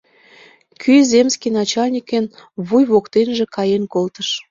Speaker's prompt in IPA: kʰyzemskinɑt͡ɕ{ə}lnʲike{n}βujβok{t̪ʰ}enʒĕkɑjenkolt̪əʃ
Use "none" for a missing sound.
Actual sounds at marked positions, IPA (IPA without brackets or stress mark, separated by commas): ɑ, n, t̪